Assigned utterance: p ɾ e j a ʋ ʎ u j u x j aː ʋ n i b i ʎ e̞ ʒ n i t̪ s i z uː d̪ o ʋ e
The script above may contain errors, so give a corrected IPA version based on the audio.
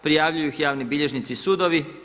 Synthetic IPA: p ɾ i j a ʋ ʎ u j u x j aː ʋ n i b i ʎ e̞ ʒ n i t̪ s i s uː d̪ o ʋ i